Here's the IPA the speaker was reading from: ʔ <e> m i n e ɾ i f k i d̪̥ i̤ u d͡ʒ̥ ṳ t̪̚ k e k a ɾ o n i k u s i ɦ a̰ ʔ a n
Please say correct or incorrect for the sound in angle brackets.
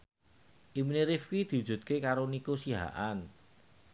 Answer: incorrect